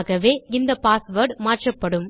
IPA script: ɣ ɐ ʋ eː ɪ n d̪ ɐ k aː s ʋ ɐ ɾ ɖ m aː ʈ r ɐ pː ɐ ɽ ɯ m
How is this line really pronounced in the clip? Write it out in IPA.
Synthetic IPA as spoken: ɣ ɐ ʋ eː ɪ n d̪ ɐ p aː s ʋ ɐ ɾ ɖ m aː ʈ r ɐ pː ɐ ɽ ɯ m